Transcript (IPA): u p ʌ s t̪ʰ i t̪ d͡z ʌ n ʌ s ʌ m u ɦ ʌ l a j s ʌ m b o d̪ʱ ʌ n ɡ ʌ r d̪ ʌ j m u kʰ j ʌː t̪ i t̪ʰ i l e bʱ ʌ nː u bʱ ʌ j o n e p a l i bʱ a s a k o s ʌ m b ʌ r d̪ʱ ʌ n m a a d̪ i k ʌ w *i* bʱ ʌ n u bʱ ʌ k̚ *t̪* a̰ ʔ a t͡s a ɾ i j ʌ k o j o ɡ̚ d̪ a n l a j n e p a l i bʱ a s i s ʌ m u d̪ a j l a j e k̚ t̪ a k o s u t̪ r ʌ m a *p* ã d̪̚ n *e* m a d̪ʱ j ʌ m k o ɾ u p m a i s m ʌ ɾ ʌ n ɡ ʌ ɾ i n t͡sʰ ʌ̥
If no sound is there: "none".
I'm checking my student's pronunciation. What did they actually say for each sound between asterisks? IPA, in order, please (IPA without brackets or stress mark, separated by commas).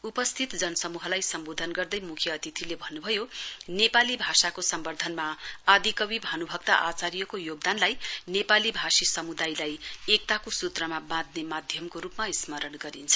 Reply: i, t̪, b, e